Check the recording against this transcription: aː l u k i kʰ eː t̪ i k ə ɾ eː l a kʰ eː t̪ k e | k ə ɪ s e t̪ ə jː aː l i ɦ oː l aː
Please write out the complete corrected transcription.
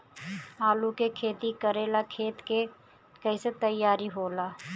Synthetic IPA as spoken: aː l u k e kʰ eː t̪ i k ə ɾ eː l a kʰ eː t̪ k e | k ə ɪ s e t̪ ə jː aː ɾ i ɦ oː l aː